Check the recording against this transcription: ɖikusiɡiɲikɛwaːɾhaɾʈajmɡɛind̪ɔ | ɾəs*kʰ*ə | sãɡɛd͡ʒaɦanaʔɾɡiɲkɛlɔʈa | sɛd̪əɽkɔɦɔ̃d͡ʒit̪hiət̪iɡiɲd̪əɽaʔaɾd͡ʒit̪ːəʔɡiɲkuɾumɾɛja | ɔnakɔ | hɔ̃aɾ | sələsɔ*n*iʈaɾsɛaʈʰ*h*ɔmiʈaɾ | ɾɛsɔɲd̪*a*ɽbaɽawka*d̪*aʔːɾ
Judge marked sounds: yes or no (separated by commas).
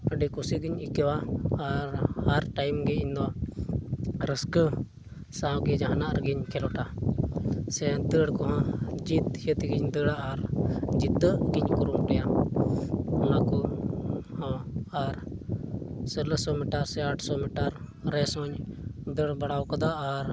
no, no, no, no, yes